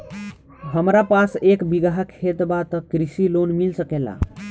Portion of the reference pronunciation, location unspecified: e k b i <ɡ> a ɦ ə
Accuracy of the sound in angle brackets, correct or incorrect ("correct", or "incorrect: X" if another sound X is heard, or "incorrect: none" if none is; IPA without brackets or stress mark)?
correct